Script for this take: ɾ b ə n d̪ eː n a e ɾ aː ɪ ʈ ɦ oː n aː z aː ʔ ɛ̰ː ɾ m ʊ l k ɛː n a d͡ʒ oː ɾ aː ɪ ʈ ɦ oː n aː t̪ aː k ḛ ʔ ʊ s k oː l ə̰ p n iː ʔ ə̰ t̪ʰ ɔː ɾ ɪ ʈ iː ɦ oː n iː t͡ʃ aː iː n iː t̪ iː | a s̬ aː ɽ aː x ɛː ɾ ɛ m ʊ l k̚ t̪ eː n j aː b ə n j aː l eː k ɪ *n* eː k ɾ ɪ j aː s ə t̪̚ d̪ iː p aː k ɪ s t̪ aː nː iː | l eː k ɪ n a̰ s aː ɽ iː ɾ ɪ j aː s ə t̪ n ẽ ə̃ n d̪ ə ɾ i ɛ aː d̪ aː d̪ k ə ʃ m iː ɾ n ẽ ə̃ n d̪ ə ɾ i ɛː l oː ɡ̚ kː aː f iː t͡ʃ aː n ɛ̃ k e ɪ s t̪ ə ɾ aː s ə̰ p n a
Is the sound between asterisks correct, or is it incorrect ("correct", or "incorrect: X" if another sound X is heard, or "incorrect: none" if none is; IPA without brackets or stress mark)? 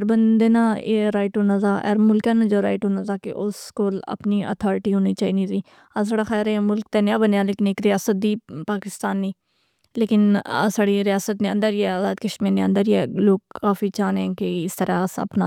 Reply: correct